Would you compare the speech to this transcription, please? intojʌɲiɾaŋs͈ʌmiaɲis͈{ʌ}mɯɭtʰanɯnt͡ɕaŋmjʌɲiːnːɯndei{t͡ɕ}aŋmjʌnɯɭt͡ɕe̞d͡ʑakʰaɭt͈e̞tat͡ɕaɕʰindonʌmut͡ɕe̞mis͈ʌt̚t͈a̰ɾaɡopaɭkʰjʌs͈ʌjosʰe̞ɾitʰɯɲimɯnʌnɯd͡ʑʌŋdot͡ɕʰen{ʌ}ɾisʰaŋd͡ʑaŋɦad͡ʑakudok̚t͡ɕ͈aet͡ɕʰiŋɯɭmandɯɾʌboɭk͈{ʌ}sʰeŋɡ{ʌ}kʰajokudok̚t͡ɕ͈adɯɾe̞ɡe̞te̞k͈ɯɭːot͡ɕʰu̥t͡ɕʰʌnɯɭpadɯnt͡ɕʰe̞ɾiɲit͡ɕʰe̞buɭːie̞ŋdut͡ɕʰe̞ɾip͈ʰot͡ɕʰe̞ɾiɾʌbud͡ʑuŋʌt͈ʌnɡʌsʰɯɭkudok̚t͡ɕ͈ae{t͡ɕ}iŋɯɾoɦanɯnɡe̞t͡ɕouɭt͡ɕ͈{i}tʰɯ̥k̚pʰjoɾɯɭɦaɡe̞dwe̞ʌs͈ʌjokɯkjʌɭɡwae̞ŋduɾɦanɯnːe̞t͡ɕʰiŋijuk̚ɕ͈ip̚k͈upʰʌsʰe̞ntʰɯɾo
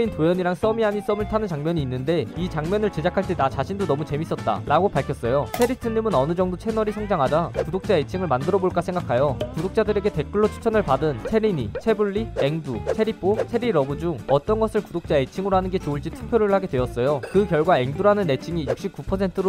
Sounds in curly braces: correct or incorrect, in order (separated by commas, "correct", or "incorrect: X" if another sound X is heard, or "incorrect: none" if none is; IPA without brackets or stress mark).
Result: correct, correct, correct, incorrect: a, incorrect: a, incorrect: t͡ɕʰ, correct